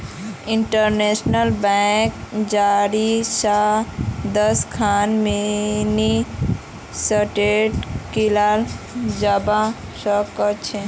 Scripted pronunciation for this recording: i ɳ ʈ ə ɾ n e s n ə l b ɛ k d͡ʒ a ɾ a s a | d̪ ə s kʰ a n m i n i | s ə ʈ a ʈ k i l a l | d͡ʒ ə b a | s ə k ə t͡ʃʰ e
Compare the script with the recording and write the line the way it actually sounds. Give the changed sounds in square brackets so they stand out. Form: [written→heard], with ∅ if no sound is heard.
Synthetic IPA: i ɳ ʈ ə ɾ n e s n ə l b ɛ k d͡ʒ a ɾ [a→i] s a | d̪ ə s kʰ a n m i n i | s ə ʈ [a→e] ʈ k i l a l | d͡ʒ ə b a | s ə k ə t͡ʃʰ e